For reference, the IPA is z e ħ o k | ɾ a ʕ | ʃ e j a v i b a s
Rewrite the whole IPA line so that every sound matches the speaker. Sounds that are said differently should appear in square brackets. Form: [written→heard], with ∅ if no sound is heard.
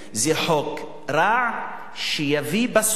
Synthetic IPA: z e ħ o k | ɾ a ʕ | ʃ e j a v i b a s